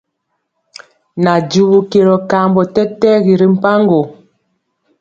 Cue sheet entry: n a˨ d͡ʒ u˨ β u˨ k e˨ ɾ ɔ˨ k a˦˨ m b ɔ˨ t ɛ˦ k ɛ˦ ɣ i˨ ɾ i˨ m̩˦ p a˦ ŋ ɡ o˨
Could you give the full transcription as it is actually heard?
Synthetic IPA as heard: n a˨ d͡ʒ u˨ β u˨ k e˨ ɾ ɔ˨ k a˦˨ m b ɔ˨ t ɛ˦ t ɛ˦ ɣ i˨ ɾ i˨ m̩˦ p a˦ ŋ ɡ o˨

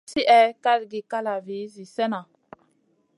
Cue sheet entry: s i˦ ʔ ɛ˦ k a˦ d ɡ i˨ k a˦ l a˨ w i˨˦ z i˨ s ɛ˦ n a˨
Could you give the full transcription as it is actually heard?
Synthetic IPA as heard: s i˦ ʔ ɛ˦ k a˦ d ɡ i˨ k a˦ l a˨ v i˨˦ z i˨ s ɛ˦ n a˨

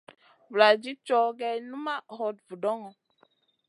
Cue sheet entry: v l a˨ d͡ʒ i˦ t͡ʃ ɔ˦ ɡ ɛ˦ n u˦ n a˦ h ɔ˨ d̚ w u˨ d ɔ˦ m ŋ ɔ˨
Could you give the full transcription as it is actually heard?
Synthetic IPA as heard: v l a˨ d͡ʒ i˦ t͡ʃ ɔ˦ ɡ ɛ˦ n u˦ m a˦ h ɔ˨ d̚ v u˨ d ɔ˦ ŋ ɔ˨

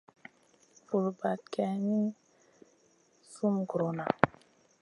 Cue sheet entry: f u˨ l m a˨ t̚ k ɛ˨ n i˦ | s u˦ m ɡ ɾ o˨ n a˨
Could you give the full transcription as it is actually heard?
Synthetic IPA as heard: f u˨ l b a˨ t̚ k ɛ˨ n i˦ | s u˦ m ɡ ɾ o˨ n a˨

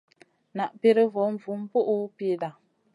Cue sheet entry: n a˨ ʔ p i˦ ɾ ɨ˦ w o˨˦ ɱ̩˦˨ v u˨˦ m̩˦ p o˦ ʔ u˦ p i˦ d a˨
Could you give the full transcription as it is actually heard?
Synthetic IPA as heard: n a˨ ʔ p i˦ ɾ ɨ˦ v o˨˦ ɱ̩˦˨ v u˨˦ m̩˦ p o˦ ʔ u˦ p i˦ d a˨

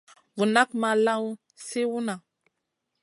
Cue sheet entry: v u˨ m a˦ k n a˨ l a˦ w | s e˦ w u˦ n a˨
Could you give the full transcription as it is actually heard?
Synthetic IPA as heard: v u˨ n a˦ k m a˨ l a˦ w | s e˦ w u˦ n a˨

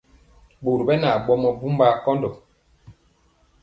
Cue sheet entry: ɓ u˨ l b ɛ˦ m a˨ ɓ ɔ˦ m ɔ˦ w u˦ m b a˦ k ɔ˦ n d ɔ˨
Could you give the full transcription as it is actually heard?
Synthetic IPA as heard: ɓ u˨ ɾ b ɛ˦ n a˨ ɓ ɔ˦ m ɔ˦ b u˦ m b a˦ k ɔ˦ n d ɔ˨

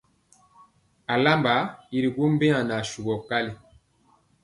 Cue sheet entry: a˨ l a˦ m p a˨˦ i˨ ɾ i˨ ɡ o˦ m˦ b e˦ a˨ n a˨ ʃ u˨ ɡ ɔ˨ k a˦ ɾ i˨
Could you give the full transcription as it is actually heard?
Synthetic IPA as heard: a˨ l a˦ m b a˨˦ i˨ ɾ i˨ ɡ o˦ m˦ b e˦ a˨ n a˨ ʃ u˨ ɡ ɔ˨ k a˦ l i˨

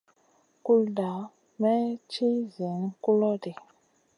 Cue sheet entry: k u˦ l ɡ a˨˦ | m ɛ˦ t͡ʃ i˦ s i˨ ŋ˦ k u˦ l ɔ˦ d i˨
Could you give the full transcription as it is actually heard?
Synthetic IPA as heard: k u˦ l d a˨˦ | m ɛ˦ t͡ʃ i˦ z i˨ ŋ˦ k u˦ l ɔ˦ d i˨

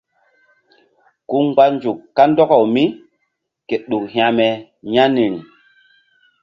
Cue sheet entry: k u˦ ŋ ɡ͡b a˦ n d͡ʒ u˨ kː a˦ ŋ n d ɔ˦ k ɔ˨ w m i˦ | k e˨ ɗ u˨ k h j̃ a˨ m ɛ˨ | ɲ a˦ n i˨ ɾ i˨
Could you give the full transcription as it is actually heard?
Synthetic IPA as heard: k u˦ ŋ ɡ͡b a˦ n d͡ʒ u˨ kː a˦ n d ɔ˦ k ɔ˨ w m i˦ | k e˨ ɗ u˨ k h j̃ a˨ m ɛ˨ | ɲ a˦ n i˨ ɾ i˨

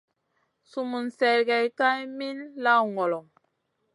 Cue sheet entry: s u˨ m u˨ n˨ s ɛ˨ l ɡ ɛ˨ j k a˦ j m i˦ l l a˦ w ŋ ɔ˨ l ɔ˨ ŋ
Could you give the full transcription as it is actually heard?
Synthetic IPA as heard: s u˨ m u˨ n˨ s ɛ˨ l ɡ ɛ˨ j k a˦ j m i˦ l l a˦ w ŋ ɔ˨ l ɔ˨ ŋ

